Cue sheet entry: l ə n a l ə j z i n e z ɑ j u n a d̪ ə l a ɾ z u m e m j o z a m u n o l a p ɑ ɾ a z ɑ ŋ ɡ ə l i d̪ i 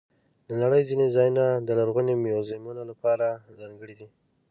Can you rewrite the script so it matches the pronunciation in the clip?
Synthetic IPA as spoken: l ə n a ɽ ə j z i n e z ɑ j u n a d̪ ə l a ɾ ɣ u n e m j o z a m u n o l a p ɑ ɾ a z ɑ ŋ ɡ ə ɽ i d̪ i